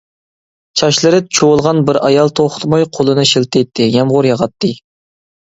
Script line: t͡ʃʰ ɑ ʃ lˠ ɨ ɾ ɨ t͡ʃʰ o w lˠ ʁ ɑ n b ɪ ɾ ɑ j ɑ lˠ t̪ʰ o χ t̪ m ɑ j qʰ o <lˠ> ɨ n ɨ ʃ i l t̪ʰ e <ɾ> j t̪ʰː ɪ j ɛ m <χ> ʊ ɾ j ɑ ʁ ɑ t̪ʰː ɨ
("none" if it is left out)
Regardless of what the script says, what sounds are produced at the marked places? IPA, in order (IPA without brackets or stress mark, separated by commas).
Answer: lˠ, none, ʁ